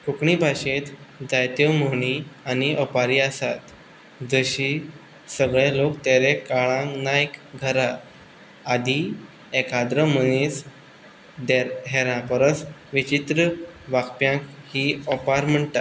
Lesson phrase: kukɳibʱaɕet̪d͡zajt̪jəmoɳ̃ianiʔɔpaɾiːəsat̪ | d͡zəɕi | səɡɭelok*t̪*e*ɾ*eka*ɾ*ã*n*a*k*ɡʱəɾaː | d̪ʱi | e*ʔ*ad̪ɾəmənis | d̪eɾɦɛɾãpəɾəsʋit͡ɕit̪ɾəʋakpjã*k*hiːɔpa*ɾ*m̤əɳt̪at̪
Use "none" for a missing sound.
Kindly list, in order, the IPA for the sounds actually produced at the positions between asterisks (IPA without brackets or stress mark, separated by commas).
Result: t̪, ɾ, ɭ, n, k, k, k, ɾ